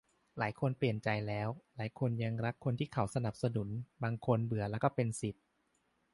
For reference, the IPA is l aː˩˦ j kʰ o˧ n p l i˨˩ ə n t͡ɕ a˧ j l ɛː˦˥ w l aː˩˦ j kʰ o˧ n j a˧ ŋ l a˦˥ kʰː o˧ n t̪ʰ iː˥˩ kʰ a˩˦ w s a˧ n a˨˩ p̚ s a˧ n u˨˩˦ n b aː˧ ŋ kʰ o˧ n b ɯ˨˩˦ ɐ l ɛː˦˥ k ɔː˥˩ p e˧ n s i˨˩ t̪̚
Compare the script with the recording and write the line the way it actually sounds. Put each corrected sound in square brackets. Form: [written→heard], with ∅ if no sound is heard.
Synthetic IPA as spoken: l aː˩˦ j kʰ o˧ n p l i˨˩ ə n t͡ɕ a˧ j l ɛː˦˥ w l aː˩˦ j kʰ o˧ n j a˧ ŋ [l→ɾ] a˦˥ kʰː o˧ n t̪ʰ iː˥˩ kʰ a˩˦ w s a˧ n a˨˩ p̚ s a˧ n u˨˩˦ n b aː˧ ŋ kʰ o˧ n b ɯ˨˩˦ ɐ l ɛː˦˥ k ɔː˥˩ p e˧ n s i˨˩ t̪̚